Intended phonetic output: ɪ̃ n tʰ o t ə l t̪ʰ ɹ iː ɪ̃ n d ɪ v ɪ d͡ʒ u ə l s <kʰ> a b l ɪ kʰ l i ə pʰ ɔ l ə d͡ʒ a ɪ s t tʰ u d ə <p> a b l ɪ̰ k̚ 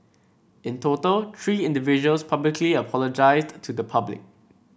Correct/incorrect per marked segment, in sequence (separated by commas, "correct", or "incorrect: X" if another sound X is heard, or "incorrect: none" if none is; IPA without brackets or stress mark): incorrect: pʰ, incorrect: pʰ